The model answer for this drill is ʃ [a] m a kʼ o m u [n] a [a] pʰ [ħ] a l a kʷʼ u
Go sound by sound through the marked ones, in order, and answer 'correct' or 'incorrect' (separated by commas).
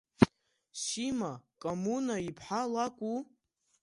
incorrect, correct, incorrect, correct